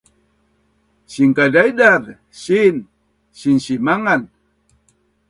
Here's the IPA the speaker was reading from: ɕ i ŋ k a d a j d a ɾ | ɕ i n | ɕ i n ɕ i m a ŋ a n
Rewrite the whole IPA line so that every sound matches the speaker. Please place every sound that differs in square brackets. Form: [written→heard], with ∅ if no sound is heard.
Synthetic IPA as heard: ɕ i ŋ k a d a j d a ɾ | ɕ i n | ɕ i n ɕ i m a ŋ a n

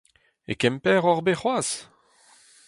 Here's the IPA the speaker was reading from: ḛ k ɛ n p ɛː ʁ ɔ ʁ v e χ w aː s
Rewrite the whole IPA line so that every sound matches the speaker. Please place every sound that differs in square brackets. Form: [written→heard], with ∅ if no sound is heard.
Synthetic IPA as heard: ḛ k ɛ [n→m] p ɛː ʁ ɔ ʁ [v→b] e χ w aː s

